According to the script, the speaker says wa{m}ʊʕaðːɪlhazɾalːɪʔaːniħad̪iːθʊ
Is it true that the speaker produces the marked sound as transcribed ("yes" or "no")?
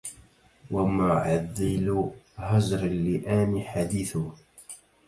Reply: yes